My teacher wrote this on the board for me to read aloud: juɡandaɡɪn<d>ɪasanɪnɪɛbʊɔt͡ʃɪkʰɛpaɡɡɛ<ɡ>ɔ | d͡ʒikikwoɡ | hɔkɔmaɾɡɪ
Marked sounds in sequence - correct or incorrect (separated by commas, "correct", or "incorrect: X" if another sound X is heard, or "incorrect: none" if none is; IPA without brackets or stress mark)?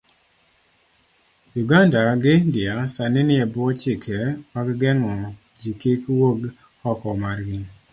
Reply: correct, incorrect: ŋ